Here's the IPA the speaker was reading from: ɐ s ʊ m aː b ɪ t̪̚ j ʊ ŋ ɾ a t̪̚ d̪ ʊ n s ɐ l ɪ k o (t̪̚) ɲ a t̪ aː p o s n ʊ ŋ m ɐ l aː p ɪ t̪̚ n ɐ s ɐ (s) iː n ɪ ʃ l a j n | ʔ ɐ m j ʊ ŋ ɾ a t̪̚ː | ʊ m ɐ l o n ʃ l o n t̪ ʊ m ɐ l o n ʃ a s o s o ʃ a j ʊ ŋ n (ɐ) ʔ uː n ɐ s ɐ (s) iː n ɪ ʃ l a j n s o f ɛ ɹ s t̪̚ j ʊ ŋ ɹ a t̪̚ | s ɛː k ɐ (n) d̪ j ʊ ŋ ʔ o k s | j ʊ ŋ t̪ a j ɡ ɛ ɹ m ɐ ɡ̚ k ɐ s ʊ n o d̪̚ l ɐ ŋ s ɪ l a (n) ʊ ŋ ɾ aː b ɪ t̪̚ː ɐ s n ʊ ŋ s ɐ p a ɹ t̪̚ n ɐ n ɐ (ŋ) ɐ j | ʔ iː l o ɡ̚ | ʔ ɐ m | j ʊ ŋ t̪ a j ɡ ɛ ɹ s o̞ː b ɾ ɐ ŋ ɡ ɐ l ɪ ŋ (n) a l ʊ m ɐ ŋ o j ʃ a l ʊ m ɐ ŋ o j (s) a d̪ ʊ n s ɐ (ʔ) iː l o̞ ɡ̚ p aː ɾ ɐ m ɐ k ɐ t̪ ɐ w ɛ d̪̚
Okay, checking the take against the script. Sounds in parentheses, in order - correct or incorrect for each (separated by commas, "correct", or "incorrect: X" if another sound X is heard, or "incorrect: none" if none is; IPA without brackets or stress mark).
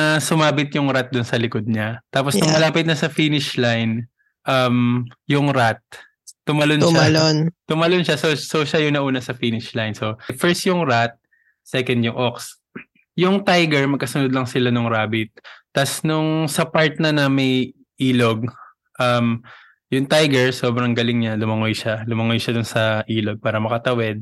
incorrect: d̪̚, incorrect: f, correct, incorrect: f, correct, correct, incorrect: m, incorrect: ɲ, incorrect: ʃ, correct